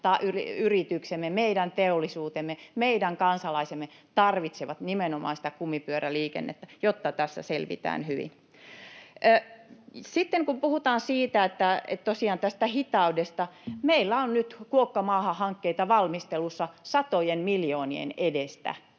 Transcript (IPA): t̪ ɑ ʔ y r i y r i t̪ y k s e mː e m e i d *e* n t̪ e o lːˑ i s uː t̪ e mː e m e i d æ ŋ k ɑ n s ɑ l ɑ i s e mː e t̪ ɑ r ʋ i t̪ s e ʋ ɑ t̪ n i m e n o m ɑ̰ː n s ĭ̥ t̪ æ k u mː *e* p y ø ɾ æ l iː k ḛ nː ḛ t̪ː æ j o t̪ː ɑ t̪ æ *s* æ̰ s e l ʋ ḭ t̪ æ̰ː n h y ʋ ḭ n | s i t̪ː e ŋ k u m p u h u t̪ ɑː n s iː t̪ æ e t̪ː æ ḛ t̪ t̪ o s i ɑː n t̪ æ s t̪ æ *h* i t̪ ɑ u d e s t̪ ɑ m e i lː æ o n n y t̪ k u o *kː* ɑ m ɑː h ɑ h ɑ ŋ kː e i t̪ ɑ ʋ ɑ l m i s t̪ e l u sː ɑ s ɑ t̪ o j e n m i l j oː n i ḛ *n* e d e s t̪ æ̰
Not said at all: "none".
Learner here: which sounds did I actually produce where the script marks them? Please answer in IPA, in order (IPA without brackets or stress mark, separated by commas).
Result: æ, i, sː, h, kː, n